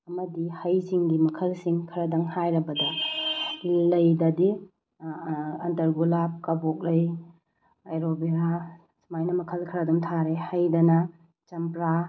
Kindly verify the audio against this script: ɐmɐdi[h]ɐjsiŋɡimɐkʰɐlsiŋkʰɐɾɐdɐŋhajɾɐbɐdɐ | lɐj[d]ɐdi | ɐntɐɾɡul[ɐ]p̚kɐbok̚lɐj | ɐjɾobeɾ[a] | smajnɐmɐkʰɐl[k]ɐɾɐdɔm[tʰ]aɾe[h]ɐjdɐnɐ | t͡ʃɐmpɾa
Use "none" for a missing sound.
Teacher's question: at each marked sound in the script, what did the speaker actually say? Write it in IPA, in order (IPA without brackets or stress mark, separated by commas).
h, d, a, a, kʰ, tʰ, h